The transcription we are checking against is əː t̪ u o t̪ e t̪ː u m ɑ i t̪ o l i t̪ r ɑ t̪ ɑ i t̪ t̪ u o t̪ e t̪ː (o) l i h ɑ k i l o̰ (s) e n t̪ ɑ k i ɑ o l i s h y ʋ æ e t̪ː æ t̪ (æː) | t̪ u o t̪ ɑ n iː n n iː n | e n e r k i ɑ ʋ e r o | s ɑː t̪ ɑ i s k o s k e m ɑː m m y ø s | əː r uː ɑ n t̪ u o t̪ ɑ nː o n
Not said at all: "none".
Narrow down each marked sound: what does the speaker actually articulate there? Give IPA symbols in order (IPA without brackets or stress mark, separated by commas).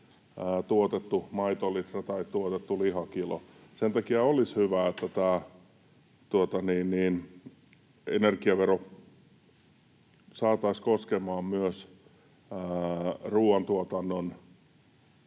u, s, æː